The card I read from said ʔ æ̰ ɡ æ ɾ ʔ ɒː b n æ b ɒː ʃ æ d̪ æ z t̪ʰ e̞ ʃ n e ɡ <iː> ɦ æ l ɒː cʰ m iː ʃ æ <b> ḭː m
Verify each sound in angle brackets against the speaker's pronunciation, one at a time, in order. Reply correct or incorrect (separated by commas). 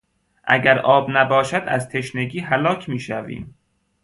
correct, incorrect